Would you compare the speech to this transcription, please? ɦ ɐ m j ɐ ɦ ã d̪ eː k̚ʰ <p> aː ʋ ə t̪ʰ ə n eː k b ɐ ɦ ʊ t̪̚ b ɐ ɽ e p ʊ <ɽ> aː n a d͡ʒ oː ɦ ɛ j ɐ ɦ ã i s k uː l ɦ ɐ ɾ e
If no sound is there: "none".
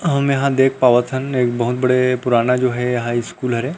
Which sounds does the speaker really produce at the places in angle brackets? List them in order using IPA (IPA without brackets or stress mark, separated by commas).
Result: p, ɾ